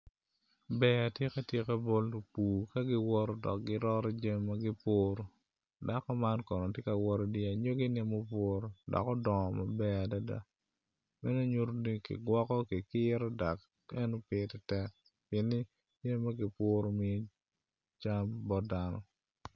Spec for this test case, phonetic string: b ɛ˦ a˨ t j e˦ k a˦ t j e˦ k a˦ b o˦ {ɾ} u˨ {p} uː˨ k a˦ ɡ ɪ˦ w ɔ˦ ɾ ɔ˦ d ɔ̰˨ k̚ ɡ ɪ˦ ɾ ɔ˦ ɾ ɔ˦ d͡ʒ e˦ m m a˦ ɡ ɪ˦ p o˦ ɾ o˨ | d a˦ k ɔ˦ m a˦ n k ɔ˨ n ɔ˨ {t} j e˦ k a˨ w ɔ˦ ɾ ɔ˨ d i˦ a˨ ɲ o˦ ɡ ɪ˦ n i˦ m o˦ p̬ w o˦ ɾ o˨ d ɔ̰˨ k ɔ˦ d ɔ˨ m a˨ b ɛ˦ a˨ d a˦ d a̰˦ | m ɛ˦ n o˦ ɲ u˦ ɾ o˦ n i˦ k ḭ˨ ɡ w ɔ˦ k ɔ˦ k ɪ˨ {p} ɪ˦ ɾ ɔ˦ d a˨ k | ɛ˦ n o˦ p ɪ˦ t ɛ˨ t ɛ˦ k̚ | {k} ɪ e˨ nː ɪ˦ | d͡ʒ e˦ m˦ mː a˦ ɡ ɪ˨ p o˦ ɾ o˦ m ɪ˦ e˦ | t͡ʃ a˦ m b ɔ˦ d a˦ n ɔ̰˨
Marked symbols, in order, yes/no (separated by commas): no, yes, yes, no, no